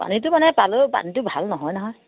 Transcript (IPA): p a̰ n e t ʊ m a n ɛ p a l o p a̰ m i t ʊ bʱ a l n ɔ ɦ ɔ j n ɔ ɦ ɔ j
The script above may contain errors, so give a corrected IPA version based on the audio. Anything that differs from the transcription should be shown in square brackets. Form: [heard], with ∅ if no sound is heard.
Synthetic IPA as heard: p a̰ n [i] t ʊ m a n ɛ p a l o p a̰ [n] i t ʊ bʱ a l n ɔ ɦ ɔ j n ɔ ɦ ɔ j